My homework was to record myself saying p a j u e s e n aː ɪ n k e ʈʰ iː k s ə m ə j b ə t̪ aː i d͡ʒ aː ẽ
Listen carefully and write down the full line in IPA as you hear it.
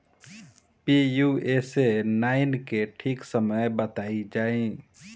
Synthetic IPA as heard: p i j u e s e n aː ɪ n k e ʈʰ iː k s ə m ə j b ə t̪ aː i d͡ʒ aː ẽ